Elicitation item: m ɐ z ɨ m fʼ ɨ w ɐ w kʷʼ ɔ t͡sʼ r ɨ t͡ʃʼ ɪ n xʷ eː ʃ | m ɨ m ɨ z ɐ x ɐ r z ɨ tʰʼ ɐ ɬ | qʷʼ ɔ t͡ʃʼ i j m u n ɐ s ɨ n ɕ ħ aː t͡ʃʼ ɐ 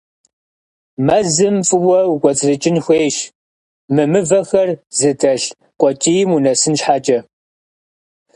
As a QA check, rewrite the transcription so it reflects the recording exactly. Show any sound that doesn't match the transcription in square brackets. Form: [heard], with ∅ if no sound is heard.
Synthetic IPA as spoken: m ɐ z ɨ m fʼ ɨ w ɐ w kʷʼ ɔ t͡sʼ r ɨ t͡ʃʼ ɪ n xʷ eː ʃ | m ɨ m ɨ [v] ɐ x ɐ r z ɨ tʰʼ ɐ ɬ | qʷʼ ɔ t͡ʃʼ i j m u n ɐ s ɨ n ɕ ħ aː t͡ʃʼ ɐ